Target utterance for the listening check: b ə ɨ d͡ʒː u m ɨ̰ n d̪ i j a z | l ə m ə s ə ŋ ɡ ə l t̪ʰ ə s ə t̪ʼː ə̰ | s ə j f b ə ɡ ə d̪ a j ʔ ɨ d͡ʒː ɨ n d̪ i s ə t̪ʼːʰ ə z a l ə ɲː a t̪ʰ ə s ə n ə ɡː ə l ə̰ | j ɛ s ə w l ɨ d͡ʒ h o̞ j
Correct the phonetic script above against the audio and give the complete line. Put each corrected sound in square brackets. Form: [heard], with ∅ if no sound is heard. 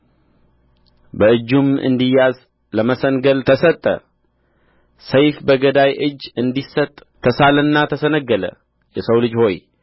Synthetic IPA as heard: b ə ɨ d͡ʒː u m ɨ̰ n d̪ i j a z | l ə m ə s ə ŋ ɡ ə l t̪ʰ ə s ə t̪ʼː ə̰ | s ə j f b ə ɡ ə d̪ a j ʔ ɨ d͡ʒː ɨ n d̪ i s ə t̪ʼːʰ ə [s] a l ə [nː] a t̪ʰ ə s ə n ə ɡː ə l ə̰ | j ɛ s ə w l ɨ d͡ʒ h o̞ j

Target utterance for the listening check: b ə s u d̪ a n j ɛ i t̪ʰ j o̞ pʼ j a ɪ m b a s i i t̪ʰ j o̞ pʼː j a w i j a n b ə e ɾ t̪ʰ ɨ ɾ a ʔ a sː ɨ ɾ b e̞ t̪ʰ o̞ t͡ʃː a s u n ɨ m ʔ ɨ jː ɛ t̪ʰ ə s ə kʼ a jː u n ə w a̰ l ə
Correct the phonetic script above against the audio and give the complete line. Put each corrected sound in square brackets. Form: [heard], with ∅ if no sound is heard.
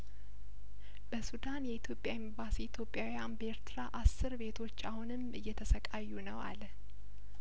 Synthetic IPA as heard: b ə s u d̪ a n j ɛ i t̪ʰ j o̞ pʼ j a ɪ m b a s i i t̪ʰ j o̞ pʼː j a w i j a n b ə e ɾ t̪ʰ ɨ ɾ a ʔ a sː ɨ ɾ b e̞ t̪ʰ o̞ t͡ʃː a [h] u n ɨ m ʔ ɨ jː ɛ t̪ʰ ə s ə kʼ a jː u n ə w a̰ l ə

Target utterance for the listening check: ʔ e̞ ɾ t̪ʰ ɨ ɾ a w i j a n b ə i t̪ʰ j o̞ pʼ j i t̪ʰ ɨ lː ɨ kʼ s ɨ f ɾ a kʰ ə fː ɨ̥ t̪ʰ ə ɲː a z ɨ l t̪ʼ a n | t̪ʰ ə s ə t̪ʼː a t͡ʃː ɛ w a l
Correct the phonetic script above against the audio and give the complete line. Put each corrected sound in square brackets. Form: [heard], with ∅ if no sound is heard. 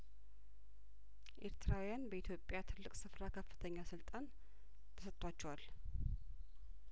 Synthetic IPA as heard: ʔ e̞ ɾ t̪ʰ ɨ ɾ a w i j a n b ə i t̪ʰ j o̞ pʼ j [a] t̪ʰ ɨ lː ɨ kʼ s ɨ f ɾ a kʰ ə fː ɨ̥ t̪ʰ ə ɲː a [s] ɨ l t̪ʼ a n | t̪ʰ ə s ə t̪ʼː a t͡ʃː ɛ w a l

